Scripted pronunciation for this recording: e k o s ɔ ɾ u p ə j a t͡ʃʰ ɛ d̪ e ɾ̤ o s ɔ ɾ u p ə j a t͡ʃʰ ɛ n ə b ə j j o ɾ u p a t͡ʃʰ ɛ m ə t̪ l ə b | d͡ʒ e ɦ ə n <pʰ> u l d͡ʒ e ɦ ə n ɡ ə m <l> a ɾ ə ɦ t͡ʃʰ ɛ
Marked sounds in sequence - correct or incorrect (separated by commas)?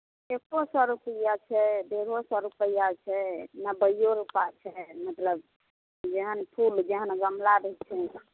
correct, correct